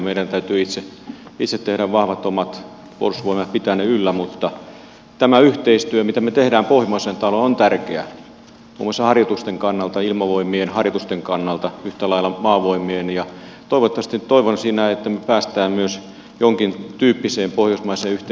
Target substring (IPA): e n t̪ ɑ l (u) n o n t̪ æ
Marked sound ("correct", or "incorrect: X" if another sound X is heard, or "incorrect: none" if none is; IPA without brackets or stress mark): incorrect: o